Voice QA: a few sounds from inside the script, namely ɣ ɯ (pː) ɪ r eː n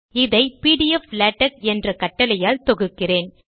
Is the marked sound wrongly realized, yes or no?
yes